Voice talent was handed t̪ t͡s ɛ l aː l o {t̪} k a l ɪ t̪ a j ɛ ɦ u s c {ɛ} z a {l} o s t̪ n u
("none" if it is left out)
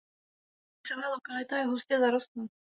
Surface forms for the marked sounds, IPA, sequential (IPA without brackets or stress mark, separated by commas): none, ɛ, ɾ